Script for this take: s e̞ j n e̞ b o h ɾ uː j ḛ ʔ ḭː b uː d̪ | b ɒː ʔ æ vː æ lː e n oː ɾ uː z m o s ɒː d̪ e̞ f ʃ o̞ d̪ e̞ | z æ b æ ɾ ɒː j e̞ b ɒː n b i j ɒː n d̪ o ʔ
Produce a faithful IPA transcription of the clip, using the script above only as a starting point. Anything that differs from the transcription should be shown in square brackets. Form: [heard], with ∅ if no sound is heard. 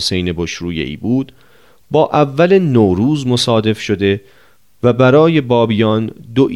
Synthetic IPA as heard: s e̞ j n e̞ b o [ʃ] ɾ uː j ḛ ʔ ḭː b uː d̪ | b ɒː ʔ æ vː æ [l] e n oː ɾ uː z m o s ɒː d̪ e̞ f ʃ o̞ d̪ e̞ | [v] æ b æ ɾ ɒː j e̞ b ɒː [∅] b i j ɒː n d̪ o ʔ